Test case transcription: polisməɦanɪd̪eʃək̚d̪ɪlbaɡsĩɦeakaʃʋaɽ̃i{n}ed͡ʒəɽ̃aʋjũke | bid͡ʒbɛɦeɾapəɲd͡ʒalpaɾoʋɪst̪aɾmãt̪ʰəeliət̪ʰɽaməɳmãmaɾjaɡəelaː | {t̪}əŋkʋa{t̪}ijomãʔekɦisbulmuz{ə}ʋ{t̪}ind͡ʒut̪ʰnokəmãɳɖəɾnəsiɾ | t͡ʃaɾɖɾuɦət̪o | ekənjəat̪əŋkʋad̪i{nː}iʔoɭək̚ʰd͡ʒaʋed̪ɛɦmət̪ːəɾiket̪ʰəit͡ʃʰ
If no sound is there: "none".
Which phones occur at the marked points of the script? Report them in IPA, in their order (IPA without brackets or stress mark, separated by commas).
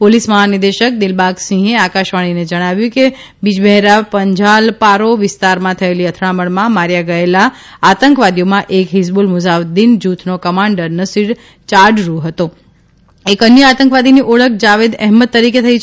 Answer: n, t̪, d̪, a, d̪, n